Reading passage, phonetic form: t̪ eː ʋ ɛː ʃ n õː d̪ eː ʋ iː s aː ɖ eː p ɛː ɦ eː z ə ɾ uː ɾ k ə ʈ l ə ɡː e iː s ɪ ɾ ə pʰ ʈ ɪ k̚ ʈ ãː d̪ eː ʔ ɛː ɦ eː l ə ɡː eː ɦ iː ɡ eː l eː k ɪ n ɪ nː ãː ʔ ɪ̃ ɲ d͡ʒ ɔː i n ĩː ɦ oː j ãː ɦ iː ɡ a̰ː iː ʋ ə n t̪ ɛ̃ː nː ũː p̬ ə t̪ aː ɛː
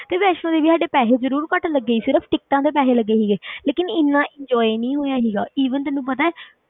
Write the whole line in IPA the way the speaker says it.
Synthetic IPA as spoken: t̪ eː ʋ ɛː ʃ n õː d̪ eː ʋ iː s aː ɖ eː p ɛː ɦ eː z ə ɾ uː ɾ k ə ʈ l ə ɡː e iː s ɪ ɾ ə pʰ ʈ ɪ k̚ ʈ ãː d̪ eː p ɛː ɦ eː l ə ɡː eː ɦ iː ɡ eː l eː k ɪ n ɪ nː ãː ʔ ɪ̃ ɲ d͡ʒ ɔː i n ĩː ɦ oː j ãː ɦ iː ɡ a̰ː iː ʋ ə n t̪ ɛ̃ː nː ũː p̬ ə t̪ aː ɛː